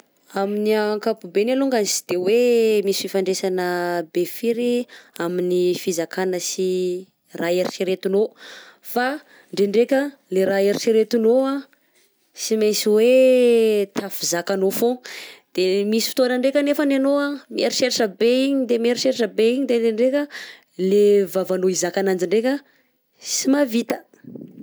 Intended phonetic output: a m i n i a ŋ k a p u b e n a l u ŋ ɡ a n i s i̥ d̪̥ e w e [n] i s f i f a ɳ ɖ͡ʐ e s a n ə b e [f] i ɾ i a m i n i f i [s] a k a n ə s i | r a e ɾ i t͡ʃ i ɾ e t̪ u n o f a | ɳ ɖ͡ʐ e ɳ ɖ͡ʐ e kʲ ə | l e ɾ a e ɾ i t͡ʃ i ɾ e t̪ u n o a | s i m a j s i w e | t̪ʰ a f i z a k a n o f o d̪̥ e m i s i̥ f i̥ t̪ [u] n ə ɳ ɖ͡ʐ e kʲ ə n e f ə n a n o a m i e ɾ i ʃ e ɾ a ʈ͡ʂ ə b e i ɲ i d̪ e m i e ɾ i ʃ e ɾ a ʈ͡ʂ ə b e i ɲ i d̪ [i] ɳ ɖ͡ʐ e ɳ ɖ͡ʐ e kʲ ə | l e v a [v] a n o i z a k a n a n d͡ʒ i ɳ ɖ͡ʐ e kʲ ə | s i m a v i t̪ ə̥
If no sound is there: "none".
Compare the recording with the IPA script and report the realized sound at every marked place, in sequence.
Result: m, f, z, o, e, v

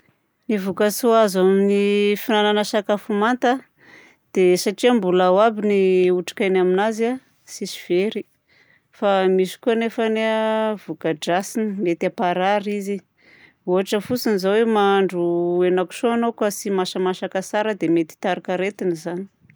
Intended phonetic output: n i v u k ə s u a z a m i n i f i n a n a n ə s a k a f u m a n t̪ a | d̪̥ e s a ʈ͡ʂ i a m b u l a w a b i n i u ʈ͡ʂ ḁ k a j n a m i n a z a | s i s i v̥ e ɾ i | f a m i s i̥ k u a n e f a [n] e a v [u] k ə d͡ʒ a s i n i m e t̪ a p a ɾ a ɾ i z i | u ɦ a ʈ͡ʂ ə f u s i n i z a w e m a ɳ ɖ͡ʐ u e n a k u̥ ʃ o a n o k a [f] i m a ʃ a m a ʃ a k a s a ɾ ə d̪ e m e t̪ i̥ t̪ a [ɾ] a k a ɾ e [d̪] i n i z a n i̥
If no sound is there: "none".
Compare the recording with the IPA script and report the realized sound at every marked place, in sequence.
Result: n, u, s, ɾ, t̪

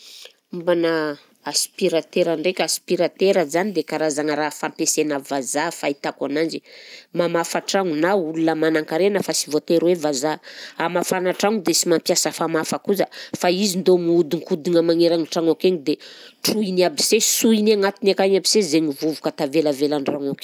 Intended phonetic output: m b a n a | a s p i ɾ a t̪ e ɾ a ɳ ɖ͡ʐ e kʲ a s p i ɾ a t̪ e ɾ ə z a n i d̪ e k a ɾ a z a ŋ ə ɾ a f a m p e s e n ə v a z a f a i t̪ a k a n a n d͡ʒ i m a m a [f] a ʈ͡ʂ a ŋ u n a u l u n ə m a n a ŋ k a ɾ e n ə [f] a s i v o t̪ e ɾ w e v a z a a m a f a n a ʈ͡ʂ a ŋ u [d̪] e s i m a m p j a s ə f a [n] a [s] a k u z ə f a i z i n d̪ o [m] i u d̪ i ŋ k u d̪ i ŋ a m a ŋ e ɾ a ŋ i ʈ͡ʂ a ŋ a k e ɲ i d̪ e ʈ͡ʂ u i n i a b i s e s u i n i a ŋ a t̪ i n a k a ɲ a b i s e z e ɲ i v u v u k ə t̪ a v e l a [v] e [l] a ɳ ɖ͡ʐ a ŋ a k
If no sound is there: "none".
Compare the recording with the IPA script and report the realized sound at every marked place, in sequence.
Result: f, f, d̪, m, f, m, v, l

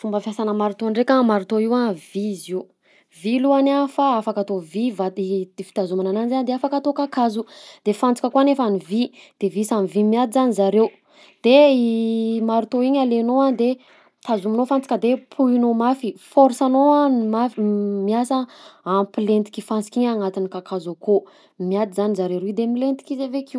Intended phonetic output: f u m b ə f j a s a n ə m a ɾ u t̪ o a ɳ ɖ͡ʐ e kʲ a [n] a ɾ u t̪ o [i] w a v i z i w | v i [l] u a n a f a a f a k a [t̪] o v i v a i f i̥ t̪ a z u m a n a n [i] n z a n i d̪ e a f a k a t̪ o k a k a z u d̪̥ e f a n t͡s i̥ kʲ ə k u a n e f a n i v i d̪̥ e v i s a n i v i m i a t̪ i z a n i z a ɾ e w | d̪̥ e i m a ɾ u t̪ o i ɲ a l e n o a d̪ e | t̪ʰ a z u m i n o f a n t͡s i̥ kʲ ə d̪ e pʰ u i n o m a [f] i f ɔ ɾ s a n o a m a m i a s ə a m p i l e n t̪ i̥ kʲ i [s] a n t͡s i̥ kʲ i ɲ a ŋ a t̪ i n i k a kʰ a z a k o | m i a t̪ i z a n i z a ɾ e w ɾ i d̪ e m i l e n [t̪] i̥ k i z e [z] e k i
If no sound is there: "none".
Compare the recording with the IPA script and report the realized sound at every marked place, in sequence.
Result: m, i, l, t̪, a, f, f, t̪, v

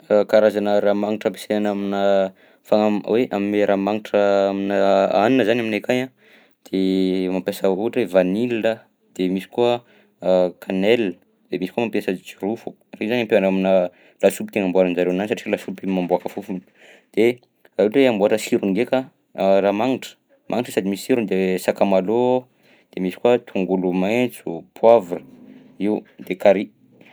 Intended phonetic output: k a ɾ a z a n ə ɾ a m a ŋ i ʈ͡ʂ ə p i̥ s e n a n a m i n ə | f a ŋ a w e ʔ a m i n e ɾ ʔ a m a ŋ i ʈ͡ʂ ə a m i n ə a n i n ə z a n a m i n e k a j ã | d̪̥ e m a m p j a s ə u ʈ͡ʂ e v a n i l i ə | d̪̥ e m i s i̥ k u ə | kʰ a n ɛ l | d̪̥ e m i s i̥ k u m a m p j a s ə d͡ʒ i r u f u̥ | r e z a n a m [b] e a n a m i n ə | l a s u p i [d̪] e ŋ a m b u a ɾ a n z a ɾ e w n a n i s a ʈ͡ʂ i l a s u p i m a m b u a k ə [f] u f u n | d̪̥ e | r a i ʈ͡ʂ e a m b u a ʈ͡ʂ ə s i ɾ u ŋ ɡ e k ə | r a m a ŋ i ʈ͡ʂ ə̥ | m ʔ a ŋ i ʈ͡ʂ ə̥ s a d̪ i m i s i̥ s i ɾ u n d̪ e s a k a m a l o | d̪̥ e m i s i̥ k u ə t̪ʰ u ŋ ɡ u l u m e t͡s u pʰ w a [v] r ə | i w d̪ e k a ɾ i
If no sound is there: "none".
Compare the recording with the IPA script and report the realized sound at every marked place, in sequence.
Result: p, t̪, f, v

